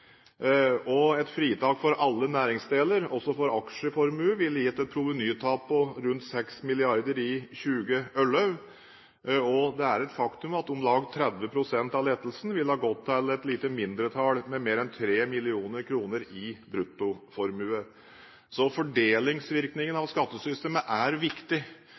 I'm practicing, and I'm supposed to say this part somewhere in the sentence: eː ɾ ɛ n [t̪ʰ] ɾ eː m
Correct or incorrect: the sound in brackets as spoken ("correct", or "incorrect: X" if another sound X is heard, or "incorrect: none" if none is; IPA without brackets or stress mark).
correct